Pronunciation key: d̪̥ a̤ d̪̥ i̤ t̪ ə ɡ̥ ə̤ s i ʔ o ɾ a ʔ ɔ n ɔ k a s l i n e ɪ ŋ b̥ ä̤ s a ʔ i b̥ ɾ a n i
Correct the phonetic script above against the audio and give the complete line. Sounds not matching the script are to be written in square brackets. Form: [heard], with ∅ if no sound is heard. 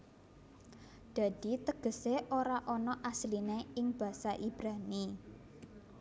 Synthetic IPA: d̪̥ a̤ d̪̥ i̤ t̪ ə ɡ̥ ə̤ s [e] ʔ o ɾ a ʔ ɔ n ɔ [ʔ] a s l i n e ɪ ŋ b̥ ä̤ s a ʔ i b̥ ɾ a n i